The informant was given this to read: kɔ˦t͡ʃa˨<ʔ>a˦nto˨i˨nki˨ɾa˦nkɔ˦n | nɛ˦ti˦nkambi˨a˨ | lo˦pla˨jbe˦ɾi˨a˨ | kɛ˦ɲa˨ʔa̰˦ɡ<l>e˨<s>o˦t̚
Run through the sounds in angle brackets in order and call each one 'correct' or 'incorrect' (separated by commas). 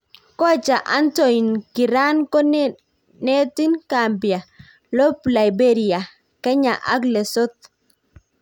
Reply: correct, correct, correct